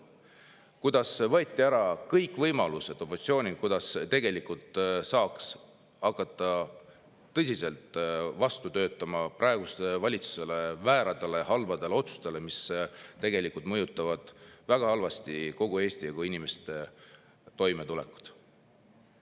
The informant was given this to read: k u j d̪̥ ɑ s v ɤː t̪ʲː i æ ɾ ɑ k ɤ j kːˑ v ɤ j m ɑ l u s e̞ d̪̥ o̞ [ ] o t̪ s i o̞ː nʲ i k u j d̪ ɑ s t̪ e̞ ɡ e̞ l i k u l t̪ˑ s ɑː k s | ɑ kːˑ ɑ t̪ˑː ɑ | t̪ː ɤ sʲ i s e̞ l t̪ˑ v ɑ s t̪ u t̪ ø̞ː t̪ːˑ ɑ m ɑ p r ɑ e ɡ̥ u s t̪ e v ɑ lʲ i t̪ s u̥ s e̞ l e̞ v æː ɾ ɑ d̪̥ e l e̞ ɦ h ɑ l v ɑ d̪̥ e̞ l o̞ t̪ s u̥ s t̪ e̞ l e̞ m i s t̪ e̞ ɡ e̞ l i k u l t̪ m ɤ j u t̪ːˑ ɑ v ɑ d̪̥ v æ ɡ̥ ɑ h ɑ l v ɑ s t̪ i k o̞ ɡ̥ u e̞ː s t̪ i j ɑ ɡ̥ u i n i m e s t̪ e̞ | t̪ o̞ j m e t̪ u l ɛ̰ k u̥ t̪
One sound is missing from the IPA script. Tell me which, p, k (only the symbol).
p